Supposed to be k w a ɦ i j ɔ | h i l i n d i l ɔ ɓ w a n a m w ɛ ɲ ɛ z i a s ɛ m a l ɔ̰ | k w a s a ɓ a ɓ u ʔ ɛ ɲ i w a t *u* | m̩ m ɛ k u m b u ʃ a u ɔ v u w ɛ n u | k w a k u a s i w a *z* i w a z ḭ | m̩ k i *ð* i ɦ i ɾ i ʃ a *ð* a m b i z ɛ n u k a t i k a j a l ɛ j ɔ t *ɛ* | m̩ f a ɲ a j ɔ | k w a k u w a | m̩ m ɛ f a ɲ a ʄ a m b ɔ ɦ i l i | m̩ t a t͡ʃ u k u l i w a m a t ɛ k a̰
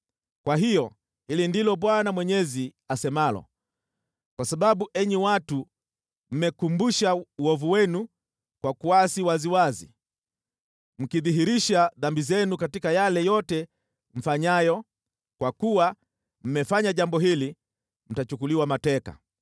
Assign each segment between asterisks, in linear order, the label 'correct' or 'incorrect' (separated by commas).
correct, correct, correct, correct, correct